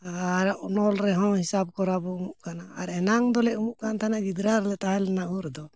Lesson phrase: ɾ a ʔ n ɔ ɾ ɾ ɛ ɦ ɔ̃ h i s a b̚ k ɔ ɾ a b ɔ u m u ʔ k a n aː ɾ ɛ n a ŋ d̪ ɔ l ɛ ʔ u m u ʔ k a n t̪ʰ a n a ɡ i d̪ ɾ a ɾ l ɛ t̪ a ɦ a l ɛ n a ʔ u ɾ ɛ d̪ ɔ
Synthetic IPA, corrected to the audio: ɾ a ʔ n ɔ l ɾ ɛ ɦ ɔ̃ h i s a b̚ k ɔ ɾ a b ɔ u m u ʔ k a n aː ɾ ɛ n a ŋ d̪ ɔ l ɛ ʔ u m u ʔ k a n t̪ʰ a n a ɡ i d̪ ɾ a ɾ l ɛ t̪ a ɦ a l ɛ n a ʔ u ɾ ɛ d̪ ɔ